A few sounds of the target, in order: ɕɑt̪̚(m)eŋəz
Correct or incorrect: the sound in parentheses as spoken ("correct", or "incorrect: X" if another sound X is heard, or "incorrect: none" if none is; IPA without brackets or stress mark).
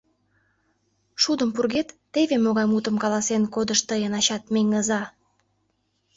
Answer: correct